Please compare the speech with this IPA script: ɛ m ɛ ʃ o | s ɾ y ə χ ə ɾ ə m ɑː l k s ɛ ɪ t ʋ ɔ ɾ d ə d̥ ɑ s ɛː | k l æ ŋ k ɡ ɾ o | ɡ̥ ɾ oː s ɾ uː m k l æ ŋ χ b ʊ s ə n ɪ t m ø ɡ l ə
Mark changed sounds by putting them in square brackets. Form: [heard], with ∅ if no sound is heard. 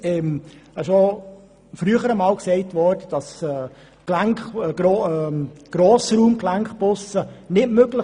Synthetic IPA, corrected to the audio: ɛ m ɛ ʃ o | [f] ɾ y ə χ ə ɾ ə m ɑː l k s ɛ ɪ t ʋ ɔ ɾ d ə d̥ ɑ s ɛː | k l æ ŋ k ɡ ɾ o | ɡ̥ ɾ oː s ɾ uː m k l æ ŋ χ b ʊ s ə n ɪ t m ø ɡ l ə